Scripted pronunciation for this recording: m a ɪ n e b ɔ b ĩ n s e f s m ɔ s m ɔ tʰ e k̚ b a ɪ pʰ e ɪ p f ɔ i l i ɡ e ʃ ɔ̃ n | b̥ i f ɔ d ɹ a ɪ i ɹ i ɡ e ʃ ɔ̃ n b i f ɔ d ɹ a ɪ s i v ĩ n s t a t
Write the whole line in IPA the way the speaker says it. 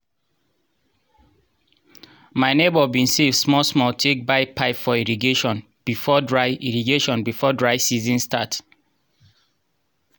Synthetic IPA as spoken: m a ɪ n e b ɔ b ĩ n s e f s m ɔ s m ɔ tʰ e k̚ b a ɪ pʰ a ɪ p f ɔ i ɹ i ɡ e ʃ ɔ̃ n | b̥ i f ɔ d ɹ a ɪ i ɹ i ɡ e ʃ ɔ̃ n b i f ɔ d ɹ a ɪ s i z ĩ n s t a t